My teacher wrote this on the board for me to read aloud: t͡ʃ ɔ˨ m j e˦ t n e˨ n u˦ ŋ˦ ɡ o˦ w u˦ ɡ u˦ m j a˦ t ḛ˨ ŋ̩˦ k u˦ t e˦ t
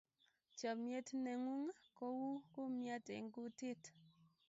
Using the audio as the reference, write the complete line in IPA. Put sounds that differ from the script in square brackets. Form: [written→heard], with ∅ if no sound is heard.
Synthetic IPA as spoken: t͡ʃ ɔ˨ m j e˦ t n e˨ [n→ŋ] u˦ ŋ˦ [ɡ→k] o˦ w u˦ [ɡ→k] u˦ m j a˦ t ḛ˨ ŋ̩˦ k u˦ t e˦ t